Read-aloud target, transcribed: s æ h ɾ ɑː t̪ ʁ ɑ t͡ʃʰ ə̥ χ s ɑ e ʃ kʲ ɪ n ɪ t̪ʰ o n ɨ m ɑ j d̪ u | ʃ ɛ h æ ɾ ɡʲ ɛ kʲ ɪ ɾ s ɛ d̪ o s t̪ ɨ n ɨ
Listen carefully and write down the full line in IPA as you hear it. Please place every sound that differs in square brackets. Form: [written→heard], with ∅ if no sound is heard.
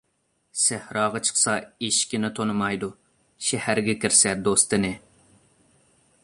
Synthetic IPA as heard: s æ h ɾ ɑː [t̪→∅] ʁ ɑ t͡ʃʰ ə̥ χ s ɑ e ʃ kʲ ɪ n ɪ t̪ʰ o n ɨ m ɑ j d̪ u | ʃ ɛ h æ ɾ ɡʲ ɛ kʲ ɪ ɾ s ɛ d̪ o s t̪ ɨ n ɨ

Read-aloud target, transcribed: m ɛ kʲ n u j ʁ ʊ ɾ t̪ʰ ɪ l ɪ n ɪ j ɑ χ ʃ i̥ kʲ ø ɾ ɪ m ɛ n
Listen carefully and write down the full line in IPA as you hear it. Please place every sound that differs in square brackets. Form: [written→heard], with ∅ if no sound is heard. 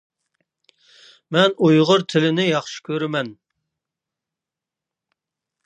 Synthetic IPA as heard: m ɛ [kʲ→∅] n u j ʁ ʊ ɾ t̪ʰ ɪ l ɪ n ɪ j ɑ χ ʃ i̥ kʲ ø ɾ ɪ m ɛ n

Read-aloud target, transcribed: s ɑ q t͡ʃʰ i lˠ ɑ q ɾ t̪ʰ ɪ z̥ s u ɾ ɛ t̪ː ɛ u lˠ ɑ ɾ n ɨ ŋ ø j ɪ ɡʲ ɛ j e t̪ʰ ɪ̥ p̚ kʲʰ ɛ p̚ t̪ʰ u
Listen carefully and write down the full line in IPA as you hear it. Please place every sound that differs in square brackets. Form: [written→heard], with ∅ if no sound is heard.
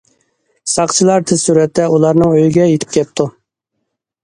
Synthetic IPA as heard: s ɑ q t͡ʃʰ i lˠ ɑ [q→∅] ɾ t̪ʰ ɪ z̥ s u ɾ ɛ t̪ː ɛ u lˠ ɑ ɾ n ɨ ŋ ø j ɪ ɡʲ ɛ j e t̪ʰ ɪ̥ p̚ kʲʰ ɛ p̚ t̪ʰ u

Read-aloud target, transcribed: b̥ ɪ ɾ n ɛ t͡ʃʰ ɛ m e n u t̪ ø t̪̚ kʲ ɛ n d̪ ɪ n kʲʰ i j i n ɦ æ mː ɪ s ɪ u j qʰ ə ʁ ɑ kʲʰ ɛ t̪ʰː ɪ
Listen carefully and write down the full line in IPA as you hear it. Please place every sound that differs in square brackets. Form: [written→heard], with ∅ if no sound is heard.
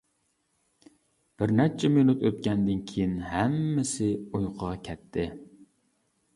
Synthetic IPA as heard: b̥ ɪ ɾ n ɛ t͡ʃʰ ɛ m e n u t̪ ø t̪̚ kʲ ɛ n d̪ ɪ n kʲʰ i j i n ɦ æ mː ɪ s ɪ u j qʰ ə ʁ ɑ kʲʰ ɛ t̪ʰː ɪ

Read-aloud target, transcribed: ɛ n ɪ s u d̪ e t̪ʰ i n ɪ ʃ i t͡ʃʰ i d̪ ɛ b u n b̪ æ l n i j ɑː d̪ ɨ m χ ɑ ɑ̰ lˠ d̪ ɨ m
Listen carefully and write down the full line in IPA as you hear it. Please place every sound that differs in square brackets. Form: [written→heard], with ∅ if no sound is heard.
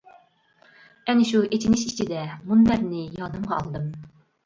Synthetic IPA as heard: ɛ n ɪ [s→ʃ] u [d̪→∅] e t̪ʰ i n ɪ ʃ i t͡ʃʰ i d̪ ɛ [b→m] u n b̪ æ [l→ɾ] n [i→ɪ] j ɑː d̪ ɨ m [χ→ʁ] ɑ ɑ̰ lˠ d̪ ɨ m

